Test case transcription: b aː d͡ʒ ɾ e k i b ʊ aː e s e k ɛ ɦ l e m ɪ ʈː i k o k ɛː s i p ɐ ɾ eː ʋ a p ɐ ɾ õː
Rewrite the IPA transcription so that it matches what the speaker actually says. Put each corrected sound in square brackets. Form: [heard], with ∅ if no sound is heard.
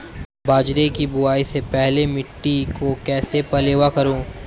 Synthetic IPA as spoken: b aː d͡ʒ ɾ e k i b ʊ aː [i] s e [p] ɛ ɦ l e m ɪ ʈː i k o k ɛː s [e] p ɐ [l] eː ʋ a [k] ɐ ɾ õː